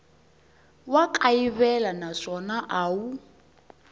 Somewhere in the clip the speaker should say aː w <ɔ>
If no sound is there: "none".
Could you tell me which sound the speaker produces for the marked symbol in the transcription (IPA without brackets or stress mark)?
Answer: u